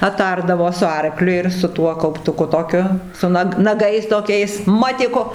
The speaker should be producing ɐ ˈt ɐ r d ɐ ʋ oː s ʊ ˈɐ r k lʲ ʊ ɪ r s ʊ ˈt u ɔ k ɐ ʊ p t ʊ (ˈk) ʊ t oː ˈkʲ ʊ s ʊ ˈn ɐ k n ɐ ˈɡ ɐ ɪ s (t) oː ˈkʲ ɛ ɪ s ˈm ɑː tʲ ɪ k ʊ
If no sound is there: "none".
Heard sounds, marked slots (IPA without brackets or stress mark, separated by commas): k, t